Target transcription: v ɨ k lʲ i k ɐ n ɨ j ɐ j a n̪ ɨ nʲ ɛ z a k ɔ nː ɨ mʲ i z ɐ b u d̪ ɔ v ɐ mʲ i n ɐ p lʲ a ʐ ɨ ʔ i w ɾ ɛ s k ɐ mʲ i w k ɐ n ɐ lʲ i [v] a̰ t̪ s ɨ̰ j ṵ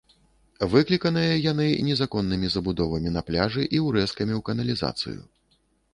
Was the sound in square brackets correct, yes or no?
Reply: no